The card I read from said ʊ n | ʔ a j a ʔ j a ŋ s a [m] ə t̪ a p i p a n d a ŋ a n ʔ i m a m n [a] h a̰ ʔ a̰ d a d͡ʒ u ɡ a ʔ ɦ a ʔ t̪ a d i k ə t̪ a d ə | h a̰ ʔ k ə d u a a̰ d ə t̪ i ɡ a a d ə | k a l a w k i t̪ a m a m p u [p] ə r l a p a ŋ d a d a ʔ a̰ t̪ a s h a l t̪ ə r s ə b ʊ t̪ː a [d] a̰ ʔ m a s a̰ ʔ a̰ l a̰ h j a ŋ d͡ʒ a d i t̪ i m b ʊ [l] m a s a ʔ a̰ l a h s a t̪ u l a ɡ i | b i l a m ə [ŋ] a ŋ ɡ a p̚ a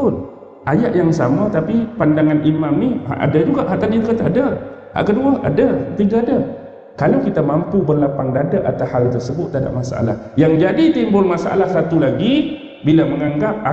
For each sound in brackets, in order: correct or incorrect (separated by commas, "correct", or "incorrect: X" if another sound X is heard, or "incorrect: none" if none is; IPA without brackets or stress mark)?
correct, incorrect: i, incorrect: b, correct, correct, correct